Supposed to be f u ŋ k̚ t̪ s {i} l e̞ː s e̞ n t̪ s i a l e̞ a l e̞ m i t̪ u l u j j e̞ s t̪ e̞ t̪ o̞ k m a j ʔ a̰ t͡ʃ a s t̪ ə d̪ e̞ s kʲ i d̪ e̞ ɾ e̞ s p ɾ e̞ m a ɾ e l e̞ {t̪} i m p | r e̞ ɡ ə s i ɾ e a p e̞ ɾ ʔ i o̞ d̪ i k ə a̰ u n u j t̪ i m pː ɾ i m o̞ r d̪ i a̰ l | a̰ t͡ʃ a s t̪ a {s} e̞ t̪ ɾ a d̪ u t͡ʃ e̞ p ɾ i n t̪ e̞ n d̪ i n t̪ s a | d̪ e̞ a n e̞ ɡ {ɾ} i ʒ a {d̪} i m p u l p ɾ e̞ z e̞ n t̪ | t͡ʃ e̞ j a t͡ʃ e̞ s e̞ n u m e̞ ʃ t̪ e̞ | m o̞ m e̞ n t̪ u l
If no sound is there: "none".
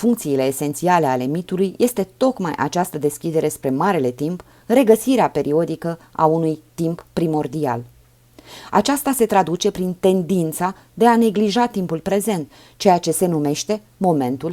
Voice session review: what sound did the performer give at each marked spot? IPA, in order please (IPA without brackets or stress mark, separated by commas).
iː, t̪, s, l, t̪